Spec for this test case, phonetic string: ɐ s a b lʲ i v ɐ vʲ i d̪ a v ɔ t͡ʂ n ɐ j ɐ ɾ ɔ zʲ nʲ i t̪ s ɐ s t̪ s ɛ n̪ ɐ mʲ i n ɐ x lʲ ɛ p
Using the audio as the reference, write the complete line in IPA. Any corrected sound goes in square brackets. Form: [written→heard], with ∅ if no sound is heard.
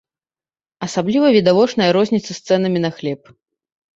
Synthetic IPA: ɐ s a b lʲ i v ɐ vʲ i d̪ a v ɔ t͡ʂ n ɐ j ɐ ɾ ɔ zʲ nʲ i t̪ s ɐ s t̪ s ɛ n̪ ɐ mʲ i n ɐ x lʲ ɛ p